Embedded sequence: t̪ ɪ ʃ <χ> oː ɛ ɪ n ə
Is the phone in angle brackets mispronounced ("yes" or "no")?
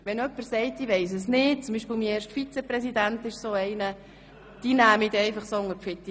yes